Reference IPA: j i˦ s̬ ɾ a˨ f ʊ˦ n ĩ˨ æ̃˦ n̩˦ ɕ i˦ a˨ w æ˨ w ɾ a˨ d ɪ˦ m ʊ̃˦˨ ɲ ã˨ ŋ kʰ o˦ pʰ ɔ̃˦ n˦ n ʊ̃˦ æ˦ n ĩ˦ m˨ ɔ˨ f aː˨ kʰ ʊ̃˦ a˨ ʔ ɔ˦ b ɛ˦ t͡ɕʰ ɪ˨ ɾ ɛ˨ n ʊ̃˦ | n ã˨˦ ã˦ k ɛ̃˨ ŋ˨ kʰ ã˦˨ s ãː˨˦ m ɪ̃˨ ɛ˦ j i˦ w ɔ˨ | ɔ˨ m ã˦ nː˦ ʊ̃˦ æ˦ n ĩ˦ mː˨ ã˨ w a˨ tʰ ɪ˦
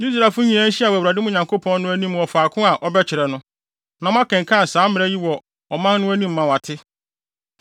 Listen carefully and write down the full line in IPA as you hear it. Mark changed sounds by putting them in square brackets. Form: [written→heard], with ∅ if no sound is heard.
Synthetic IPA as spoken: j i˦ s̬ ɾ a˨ f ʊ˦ [n→ɲ] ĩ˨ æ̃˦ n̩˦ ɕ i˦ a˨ w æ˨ w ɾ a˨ d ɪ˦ m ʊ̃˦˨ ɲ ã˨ ŋ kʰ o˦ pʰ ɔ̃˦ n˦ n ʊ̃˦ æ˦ n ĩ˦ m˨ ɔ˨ f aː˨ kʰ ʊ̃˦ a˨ ʔ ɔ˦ b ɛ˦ t͡ɕʰ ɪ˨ ɾ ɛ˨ n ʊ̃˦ | n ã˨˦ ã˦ k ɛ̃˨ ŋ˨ kʰ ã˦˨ s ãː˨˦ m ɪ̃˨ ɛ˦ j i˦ w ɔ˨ | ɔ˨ m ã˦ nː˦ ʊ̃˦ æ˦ n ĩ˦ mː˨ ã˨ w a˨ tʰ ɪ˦

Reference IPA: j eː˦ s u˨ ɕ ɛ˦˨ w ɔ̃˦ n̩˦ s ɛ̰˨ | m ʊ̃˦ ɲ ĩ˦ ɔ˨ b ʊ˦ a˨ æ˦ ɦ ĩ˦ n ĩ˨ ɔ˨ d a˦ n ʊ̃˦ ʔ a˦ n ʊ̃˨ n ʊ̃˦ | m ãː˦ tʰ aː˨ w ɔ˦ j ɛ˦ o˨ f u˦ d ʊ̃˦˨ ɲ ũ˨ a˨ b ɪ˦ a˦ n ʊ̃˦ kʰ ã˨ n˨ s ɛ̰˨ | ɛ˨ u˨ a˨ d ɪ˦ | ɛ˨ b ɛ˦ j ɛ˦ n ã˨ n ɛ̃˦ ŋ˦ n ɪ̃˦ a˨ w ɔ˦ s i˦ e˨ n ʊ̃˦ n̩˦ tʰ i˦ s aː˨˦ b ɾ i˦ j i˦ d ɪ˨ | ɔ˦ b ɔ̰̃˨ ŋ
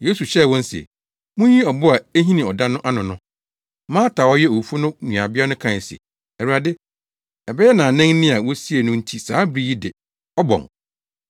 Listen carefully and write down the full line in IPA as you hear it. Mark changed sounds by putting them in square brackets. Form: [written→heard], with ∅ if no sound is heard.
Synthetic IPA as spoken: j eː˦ s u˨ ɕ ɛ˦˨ w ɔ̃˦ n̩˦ s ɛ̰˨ | m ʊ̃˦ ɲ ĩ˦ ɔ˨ b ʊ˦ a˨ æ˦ ɦ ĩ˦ n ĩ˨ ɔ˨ d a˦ n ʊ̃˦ ʔ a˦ n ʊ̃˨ n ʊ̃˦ | m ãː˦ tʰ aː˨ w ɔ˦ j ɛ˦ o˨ f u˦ [d→n] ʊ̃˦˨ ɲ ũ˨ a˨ b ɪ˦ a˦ n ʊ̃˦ kʰ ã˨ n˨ s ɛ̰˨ | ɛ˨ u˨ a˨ d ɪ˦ | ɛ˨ b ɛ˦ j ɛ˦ n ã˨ n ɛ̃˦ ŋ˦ n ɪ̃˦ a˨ w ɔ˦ s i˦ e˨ n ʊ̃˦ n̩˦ tʰ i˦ s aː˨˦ b ɾ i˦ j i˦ d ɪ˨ | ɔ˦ b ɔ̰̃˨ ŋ

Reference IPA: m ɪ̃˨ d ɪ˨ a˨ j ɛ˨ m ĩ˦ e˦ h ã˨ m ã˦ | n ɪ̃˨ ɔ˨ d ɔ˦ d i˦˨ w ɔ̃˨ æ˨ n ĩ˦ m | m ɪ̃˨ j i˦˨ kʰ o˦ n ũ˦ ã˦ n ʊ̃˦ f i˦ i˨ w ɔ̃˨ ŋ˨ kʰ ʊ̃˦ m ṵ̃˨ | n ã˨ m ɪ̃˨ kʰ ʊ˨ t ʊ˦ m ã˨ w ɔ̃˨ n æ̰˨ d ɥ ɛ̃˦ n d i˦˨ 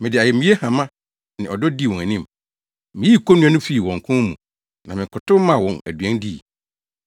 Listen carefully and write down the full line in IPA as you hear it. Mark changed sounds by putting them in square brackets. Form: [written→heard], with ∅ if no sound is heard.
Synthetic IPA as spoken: m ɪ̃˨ d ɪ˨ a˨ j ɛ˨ m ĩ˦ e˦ h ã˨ m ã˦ | n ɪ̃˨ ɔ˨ d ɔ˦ d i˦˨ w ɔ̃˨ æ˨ n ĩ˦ m | m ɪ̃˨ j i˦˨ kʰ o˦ n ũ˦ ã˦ n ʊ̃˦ f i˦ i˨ w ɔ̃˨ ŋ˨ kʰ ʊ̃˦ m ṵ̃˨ | n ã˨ m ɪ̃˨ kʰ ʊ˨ t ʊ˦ m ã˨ w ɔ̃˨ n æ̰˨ d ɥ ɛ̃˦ n d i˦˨

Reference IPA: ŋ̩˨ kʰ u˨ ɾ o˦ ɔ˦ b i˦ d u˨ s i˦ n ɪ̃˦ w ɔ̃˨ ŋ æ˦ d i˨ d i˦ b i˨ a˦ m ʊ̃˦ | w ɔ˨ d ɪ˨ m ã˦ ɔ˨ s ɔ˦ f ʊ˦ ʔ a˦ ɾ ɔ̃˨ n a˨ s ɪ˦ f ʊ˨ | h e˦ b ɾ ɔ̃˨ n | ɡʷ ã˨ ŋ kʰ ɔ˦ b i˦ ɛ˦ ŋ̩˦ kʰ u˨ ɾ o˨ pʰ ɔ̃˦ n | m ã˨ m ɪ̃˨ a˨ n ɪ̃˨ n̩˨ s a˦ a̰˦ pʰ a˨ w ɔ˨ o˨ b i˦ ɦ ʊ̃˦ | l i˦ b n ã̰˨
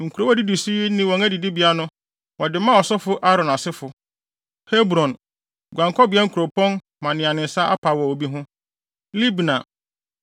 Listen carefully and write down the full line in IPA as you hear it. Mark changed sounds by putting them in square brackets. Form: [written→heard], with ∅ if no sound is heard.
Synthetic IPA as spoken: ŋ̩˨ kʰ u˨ ɾ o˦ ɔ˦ [b→d] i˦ d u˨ s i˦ n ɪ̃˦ w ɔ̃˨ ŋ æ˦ d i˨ d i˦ b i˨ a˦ [m→n] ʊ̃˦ | w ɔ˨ d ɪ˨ m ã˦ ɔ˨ s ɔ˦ f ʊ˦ ʔ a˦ ɾ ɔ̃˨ n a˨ s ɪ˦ f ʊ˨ | h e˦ b ɾ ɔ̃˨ n | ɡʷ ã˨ ŋ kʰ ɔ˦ b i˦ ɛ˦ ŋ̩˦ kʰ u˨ ɾ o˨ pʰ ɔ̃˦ n | m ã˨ [m→n] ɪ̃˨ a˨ n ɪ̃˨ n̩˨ s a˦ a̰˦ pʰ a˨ w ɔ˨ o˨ b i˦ ɦ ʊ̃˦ | l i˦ b n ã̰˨

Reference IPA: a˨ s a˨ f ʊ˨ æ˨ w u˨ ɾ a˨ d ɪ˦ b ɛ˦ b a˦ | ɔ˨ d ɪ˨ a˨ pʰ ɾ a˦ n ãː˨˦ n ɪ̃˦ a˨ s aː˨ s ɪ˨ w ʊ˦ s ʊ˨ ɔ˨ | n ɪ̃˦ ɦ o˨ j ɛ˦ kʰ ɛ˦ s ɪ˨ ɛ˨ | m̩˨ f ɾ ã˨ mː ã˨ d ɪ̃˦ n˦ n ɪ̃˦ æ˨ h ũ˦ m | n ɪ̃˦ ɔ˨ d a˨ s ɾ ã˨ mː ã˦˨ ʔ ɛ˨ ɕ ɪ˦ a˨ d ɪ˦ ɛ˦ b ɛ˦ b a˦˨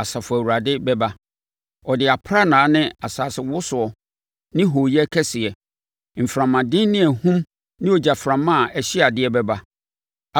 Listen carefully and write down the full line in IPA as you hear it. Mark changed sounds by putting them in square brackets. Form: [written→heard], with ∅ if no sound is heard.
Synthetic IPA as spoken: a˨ s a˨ f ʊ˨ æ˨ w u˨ ɾ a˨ d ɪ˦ b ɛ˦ b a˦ | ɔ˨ d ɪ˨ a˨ pʰ ɾ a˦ n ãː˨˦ n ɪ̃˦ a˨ s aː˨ s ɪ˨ w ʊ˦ s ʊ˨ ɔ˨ | n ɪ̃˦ ɦ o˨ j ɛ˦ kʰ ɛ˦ s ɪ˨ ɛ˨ | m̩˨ f ɾ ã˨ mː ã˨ d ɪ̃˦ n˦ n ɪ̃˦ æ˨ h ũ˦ m | n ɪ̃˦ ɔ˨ [d→d͡ʑ] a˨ [s→f] ɾ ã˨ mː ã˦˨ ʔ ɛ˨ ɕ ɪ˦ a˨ d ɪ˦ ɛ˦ b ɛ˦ b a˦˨

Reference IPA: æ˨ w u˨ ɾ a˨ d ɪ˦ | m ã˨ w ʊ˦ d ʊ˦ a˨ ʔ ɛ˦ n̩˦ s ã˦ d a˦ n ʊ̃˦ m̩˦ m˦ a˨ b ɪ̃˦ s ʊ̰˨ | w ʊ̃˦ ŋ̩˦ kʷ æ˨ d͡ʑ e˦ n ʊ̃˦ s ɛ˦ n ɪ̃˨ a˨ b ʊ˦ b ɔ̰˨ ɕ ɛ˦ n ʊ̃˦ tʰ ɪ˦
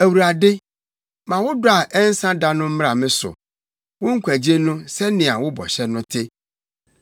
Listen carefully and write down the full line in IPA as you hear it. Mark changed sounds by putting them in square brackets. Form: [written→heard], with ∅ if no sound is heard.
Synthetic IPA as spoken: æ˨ w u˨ ɾ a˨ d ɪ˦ | m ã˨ w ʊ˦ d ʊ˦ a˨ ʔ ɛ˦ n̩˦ s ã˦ d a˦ n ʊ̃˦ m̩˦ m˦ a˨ [b→m] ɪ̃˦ s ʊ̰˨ | w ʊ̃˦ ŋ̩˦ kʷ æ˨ d͡ʑ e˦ n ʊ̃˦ s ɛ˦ n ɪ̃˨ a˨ [b→w] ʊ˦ b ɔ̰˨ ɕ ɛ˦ n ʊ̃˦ tʰ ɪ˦

